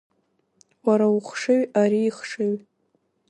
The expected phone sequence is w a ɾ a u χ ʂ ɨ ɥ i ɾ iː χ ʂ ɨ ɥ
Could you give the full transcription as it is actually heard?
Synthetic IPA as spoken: w a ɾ a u χ ʂ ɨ ɥ a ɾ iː χ ʂ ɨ ɥ